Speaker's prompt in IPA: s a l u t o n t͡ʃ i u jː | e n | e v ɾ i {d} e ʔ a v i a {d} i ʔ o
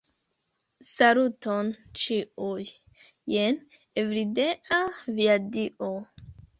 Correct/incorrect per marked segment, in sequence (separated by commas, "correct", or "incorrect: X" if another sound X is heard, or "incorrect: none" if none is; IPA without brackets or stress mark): correct, correct